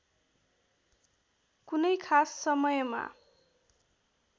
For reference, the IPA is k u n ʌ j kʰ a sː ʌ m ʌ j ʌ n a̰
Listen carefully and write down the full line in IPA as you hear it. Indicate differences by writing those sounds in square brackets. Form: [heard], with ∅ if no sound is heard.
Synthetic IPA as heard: k u n ʌ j kʰ a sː ʌ m ʌ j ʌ [m] a̰